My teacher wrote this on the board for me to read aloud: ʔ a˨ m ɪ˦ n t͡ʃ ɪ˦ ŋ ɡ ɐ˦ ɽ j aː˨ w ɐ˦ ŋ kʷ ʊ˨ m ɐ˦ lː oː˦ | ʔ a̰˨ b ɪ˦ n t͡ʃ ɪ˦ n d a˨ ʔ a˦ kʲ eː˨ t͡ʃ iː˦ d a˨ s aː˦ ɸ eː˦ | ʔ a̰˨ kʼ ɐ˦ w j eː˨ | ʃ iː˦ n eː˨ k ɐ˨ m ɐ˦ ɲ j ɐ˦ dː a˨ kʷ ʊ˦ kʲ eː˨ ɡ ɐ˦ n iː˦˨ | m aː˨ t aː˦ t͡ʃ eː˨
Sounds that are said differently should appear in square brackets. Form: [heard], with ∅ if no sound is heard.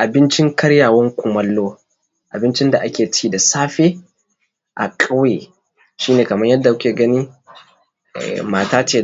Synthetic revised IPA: ʔ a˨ [b] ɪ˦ n t͡ʃ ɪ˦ ŋ [k] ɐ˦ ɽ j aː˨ w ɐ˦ ŋ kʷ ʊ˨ m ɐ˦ lː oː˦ | ʔ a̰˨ b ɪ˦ n t͡ʃ ɪ˦ n d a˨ ʔ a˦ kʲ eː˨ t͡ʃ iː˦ d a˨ s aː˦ ɸ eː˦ | ʔ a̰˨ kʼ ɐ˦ w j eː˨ | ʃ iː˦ n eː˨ k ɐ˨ m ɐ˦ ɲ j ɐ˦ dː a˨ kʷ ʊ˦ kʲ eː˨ ɡ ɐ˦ n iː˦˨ | m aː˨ t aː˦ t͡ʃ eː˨

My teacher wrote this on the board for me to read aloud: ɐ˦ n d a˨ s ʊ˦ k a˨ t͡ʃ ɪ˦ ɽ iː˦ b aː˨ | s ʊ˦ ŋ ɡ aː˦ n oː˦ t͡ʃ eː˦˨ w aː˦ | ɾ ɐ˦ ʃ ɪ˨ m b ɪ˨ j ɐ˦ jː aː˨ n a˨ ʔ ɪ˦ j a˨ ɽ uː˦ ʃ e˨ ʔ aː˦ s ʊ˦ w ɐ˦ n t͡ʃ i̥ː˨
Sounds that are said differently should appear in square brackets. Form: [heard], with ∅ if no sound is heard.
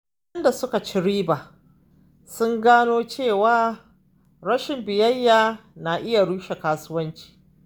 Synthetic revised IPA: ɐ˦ n d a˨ s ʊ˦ k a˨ t͡ʃ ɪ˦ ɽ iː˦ b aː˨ | s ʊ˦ ŋ ɡ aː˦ n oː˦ t͡ʃ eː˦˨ w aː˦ | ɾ ɐ˦ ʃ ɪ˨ m b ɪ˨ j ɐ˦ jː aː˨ n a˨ ʔ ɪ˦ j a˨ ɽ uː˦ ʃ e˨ [k] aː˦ s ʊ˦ w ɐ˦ n t͡ʃ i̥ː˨

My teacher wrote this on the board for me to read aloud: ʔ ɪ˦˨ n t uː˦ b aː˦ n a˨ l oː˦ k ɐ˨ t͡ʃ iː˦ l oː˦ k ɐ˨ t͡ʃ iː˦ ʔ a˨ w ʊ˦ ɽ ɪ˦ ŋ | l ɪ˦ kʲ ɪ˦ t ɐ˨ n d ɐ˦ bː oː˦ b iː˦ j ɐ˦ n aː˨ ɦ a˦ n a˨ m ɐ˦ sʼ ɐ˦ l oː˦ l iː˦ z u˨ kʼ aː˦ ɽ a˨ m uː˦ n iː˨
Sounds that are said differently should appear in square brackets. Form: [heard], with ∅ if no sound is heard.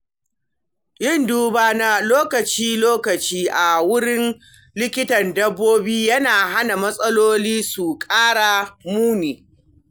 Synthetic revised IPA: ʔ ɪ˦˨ n [d] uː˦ b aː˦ n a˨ l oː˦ k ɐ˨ t͡ʃ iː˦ l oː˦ k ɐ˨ t͡ʃ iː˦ ʔ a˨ w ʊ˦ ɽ ɪ˦ [n] | l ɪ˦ kʲ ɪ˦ t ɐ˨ n d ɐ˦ bː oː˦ b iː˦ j ɐ˦ n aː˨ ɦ a˦ n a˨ m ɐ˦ sʼ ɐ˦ l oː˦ l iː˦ [s] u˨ kʼ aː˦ ɽ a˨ m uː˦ n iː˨

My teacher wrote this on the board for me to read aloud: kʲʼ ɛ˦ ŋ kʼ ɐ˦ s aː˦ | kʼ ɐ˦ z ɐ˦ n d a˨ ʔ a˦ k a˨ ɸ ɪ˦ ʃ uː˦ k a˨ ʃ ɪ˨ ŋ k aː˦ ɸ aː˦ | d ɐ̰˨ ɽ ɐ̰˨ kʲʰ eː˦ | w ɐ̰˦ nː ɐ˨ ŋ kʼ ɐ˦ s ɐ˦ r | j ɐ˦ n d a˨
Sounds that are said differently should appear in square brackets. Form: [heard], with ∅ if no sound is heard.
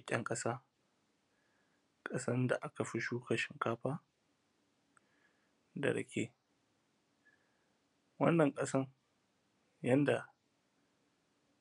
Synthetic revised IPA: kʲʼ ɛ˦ ŋ kʼ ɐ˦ s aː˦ | kʼ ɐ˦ [s] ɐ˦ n d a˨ ʔ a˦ k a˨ ɸ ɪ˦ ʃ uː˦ k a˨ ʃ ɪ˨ ŋ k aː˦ ɸ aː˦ | d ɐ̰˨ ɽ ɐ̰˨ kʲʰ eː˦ | w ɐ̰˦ nː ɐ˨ ŋ kʼ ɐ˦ s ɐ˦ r | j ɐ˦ n d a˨

